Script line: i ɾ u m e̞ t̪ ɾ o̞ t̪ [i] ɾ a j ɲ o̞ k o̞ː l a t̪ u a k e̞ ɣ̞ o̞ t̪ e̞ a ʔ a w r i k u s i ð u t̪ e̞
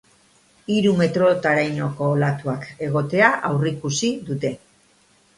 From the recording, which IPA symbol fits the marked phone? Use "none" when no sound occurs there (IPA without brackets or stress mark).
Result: a